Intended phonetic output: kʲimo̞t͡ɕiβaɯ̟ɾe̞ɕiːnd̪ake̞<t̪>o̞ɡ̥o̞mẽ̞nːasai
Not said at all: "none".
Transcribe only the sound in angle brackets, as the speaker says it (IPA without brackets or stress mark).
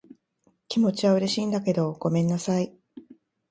d̪